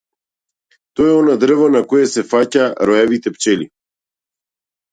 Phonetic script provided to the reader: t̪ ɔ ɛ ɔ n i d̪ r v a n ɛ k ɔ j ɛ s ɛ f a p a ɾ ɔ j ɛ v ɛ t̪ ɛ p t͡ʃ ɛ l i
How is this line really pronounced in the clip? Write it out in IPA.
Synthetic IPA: t̪ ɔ ɛ ɔ n a d̪ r v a n a k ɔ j ɛ s ɛ f a c a ɾ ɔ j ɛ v i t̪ ɛ p t͡ʃ ɛ l i